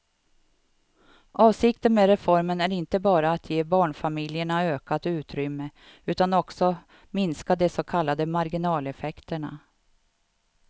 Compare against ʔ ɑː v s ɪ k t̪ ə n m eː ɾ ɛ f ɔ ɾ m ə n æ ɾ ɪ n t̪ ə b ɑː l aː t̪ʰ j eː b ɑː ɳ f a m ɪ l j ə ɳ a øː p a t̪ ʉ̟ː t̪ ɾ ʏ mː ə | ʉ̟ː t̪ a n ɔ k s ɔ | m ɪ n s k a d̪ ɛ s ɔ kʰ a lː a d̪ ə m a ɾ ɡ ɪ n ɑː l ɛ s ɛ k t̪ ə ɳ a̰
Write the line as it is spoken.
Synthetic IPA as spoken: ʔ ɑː v s ɪ k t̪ ə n m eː ɾ ɛ f ɔ ɾ m ə n æ ɾ ɪ n t̪ ə b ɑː ɾ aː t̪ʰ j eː b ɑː ɳ f a m ɪ l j ə ɳ a øː k a t̪ ʉ̟ː t̪ ɾ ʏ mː ə | ʉ̟ː t̪ a n ɔ k s ɔ | m ɪ n s k a d̪ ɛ s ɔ kʰ a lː a d̪ ə m a ɾ ɡ ɪ n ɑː l ɛ f ɛ k t̪ ə ɳ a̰